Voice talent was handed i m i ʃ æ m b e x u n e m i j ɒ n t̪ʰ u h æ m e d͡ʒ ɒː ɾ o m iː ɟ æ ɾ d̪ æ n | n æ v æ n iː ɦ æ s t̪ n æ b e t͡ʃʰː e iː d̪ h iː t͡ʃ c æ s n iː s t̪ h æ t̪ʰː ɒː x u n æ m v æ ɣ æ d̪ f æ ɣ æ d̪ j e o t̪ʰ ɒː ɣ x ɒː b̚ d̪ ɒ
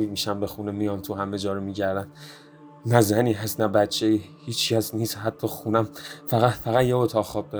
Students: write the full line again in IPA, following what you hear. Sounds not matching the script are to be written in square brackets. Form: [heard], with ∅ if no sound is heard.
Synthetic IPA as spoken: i m i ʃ æ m b e x u n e m i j ɒ n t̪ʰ u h æ m e d͡ʒ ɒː ɾ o m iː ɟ æ ɾ d̪ æ n | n æ [z] æ n iː ɦ æ s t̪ n æ b [æ] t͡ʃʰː e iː [∅] h iː t͡ʃ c æ s n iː s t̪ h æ t̪ʰː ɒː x u n æ m [f] æ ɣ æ [t̪] f æ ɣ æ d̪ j e o t̪ʰ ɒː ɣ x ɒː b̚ d̪ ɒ